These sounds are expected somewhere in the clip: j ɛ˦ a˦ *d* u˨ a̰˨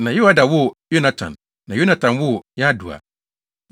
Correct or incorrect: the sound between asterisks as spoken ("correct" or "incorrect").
correct